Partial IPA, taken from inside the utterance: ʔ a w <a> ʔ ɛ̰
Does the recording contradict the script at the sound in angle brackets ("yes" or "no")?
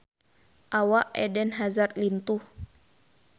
no